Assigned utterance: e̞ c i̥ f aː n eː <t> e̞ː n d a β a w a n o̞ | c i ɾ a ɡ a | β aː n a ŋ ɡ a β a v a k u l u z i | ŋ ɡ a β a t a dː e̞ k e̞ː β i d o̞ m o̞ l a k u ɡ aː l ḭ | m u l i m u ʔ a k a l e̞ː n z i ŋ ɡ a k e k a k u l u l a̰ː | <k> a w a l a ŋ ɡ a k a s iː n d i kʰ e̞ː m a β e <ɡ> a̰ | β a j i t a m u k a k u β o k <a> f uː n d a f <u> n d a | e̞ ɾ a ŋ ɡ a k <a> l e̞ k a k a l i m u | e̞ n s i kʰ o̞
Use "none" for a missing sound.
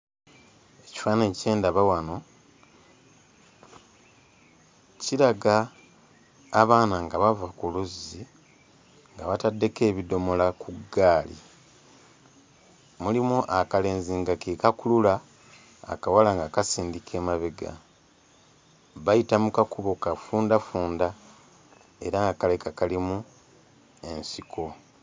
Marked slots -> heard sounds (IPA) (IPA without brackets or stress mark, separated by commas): c, k, ɡ, a, uː, a